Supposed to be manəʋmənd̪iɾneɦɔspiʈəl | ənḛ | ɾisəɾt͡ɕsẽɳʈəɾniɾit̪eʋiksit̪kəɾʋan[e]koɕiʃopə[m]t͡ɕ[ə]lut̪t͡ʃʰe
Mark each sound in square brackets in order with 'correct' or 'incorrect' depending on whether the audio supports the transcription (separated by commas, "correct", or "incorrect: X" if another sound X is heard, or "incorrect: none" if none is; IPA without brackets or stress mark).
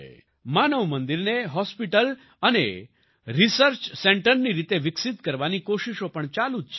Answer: incorrect: i, incorrect: ɳ, incorrect: a